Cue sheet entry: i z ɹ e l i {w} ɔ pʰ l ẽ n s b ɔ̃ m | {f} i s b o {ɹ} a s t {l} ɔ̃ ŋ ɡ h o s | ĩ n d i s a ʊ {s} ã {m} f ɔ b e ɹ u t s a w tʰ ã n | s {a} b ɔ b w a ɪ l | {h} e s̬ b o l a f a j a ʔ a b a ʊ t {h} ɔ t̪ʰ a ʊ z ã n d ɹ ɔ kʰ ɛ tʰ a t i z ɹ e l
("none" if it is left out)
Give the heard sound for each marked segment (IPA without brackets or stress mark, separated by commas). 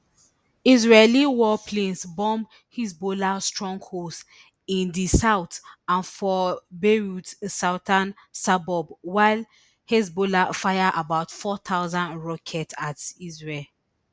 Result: w, h, l, ɹ, t, n, a, h, f